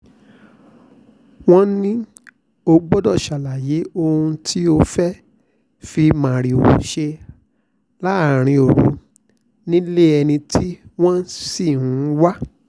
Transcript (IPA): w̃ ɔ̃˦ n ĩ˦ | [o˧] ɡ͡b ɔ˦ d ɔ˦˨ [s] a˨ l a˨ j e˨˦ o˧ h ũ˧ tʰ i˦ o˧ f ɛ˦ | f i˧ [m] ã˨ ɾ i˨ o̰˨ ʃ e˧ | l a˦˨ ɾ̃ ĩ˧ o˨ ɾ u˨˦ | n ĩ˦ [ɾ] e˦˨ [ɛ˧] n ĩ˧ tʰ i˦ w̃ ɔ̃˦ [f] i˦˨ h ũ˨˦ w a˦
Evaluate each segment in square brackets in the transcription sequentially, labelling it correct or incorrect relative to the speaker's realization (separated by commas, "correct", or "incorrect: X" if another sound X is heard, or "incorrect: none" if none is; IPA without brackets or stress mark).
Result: correct, incorrect: ʃ, correct, incorrect: l, correct, incorrect: s